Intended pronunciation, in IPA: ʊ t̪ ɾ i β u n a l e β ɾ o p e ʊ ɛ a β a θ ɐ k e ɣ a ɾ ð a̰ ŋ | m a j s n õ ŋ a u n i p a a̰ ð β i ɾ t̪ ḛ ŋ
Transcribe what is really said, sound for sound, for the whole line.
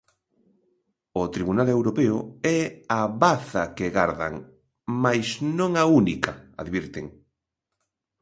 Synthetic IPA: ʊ t̪ ɾ i β u n a l e w ɾ o p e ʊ ɛ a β a θ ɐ k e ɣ a ɾ ð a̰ ŋ | m a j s n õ ŋ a u n i k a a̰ ð β i ɾ t̪ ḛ ŋ